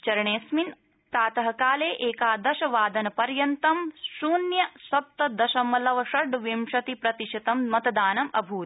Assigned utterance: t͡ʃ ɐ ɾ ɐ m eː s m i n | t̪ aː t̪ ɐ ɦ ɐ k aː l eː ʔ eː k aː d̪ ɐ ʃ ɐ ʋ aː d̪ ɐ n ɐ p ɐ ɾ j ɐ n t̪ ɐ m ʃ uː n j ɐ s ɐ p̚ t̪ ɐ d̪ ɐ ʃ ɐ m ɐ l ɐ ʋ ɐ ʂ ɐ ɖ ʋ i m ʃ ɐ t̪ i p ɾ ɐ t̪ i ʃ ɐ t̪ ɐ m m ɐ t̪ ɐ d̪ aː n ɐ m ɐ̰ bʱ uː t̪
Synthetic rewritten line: t͡ʃ ɐ ɾ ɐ ɳ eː s m i n | t̪ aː t̪ ɐ ɦ ɐ k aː l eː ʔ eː k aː d̪ ɐ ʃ ɐ ʋ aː d̪ ɐ n ɐ p ɐ ɾ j ɐ n t̪ ɐ m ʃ uː n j ɐ s ɐ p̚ t̪ ɐ d̪ ɐ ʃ ɐ m ɐ l ɐ ʋ ɐ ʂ ɐ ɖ ʋ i m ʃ ɐ t̪ i p ɾ ɐ t̪ i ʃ ɐ t̪ ɐ m m ɐ t̪ ɐ d̪ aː n ɐ m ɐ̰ bʱ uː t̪